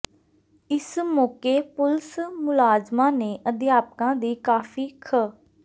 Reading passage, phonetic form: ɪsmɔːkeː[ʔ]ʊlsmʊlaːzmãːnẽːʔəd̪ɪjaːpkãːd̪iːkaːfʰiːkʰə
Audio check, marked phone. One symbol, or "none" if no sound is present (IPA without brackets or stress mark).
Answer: p